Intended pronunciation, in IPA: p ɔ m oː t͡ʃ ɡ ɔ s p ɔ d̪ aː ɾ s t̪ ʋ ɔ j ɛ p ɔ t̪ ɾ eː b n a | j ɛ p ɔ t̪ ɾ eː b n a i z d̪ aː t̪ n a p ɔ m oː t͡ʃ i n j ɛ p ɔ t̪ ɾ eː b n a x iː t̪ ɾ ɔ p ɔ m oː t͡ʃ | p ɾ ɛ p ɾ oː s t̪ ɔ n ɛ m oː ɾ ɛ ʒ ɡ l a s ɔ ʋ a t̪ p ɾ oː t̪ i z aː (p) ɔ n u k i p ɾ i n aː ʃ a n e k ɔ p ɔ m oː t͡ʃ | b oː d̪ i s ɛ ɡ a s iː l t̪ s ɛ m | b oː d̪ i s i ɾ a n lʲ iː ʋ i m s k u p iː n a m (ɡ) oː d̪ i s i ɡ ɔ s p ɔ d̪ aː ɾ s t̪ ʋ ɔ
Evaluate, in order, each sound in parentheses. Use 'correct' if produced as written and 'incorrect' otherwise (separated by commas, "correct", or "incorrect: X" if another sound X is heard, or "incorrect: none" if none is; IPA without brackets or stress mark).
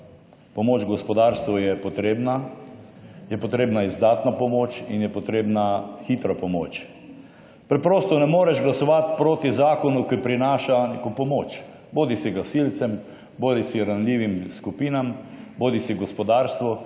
incorrect: k, incorrect: b